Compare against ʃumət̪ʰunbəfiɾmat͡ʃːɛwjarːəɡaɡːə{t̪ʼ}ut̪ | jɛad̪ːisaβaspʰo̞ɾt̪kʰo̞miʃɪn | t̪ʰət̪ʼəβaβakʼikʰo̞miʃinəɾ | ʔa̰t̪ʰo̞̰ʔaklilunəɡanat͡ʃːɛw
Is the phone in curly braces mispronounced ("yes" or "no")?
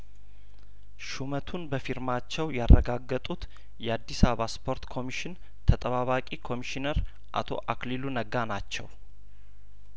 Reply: no